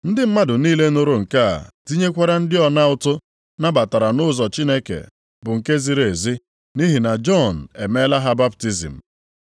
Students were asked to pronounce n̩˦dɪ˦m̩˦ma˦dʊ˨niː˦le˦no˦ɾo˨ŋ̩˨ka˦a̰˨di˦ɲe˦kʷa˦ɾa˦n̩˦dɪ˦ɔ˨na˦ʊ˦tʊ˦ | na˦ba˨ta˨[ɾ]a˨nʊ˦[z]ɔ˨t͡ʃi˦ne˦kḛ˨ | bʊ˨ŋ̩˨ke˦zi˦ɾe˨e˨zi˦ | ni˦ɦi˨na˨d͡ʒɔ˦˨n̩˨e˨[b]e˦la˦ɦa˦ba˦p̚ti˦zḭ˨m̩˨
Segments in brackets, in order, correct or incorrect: correct, correct, incorrect: m

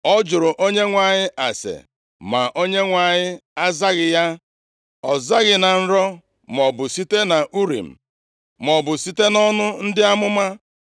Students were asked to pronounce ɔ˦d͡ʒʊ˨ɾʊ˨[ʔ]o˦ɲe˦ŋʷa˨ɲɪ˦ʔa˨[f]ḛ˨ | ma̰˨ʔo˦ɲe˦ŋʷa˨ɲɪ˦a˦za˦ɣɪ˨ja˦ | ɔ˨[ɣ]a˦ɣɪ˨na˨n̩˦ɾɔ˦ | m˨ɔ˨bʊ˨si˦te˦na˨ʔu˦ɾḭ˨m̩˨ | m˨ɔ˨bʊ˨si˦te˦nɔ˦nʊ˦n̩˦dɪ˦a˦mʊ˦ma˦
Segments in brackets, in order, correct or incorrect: correct, incorrect: s, incorrect: z

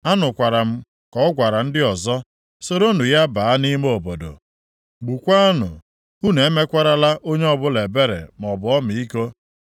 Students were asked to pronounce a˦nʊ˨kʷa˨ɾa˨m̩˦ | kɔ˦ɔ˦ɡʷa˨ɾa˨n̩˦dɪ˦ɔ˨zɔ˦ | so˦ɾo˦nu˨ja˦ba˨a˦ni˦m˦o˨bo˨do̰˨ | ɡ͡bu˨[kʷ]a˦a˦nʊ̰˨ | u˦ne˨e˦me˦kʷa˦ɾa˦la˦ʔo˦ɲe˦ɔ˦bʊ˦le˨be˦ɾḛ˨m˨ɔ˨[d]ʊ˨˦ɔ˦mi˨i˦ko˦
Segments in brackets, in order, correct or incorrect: correct, incorrect: b

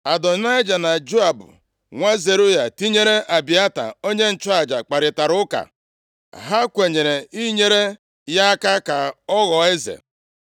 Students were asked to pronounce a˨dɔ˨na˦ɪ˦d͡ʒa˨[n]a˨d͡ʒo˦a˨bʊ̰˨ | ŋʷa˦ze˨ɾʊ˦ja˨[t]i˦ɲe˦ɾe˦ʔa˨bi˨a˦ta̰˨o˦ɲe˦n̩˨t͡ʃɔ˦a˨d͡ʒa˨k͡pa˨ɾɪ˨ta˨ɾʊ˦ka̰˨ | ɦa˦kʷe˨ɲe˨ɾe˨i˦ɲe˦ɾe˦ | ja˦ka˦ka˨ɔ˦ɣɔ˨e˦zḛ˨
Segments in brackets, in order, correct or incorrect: correct, correct

